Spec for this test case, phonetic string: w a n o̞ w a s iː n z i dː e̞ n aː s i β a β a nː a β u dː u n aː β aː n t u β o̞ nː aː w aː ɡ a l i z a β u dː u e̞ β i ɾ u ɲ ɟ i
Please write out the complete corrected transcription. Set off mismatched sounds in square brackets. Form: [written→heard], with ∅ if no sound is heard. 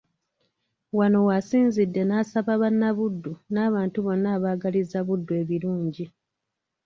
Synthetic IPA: w a n o̞ w a s iː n z i dː e̞ n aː s [i→a] β a β a nː a β u dː u n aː β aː n t u β o̞ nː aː [w→β] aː ɡ a l i z a β u dː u e̞ β i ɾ [u→uː] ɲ ɟ i